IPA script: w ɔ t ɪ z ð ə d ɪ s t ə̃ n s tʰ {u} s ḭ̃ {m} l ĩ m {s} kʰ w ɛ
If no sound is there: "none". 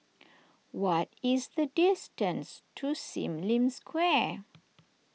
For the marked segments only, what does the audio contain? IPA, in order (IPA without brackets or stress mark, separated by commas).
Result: u, m, s